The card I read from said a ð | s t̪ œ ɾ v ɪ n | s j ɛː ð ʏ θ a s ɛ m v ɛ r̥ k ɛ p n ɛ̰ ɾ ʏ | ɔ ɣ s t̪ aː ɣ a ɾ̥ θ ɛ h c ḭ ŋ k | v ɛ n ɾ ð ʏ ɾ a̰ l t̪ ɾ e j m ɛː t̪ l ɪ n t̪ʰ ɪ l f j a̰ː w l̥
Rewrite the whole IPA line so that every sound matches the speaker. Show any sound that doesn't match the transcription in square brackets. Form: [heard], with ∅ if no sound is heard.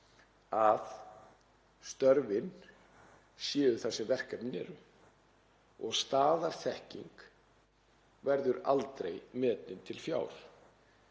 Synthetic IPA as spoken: a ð | s t̪ œ ɾ v ɪ n | s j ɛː ð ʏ θ a s ɛ m v ɛ r̥ k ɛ p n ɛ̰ ɾ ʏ | ɔ ɣ s t̪ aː [ð] a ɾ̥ θ ɛ h c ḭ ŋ k | v ɛ [∅] ɾ ð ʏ ɾ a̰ l t̪ ɾ e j m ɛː t̪ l ɪ n t̪ʰ ɪ l f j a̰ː w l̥

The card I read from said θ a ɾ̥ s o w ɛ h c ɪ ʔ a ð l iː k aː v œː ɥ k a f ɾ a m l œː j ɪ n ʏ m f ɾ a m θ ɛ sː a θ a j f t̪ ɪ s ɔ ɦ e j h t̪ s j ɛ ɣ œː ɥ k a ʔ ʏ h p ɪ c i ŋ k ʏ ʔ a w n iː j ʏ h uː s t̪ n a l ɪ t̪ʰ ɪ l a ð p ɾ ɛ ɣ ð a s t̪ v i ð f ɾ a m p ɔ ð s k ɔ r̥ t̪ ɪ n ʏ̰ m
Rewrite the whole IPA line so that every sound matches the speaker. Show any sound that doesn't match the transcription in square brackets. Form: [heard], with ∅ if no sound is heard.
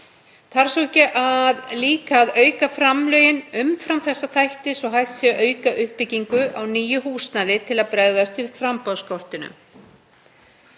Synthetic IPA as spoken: θ a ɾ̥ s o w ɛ h c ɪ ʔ a ð l iː k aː [ð] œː ɥ k a f ɾ a m l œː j ɪ n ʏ m f ɾ a m θ ɛ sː a θ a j [h] t̪ ɪ s ɔ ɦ [a] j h t̪ s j ɛ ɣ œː ɥ k a ʔ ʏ h p ɪ c i ŋ k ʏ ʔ a w n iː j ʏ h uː s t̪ n a l ɪ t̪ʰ ɪ l a ð p ɾ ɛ ɣ ð a s t̪ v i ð f ɾ a m p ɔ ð s k ɔ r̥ t̪ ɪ n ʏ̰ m

